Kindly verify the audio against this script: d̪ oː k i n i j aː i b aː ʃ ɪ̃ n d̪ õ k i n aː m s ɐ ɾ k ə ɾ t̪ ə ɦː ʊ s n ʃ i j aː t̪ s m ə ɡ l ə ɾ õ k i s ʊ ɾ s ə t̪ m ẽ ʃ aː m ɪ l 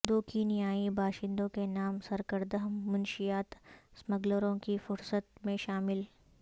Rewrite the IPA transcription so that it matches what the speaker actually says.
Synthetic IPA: d̪ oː k i n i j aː i b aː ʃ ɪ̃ n d̪ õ k e n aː m s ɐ ɾ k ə ɾ d̪ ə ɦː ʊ n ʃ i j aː t̪ s m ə ɡ l ə ɾ õ k i f ʊ ɾ s ə t̪ m ẽ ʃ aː m ɪ l